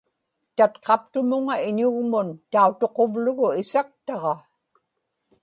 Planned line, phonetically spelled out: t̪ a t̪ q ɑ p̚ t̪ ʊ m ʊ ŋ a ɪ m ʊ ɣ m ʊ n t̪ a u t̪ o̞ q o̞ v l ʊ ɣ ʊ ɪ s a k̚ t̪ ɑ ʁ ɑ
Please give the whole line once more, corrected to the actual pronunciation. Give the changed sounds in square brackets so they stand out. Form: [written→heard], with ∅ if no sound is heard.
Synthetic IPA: t̪ a t̪ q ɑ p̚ t̪ ʊ m ʊ ŋ a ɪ [m→ɲ] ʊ ɣ m ʊ n t̪ a u t̪ o̞ q o̞ v l ʊ ɣ ʊ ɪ s a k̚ t̪ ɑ ʁ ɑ